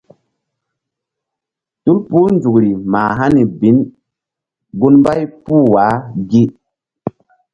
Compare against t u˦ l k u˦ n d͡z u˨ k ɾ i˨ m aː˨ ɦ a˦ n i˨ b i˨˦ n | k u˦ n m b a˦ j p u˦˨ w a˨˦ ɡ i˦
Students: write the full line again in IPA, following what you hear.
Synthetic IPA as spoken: t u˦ l p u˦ n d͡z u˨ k ɾ i˨ m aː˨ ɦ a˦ n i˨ b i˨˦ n | ɡ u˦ n m b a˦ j p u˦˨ w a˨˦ ɡ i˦